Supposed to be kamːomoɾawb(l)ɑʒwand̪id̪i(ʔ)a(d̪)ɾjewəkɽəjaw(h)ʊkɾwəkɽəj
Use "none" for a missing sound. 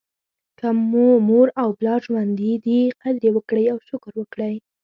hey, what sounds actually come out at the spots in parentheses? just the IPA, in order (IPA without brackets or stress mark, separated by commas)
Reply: l, q, d̪, ʃ